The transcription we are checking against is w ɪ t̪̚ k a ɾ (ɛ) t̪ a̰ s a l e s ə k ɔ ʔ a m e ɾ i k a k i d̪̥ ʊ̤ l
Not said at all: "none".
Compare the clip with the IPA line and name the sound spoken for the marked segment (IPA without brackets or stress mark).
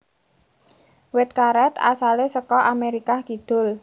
ɛ